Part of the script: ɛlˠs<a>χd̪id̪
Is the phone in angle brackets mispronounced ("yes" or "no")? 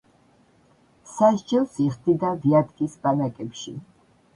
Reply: yes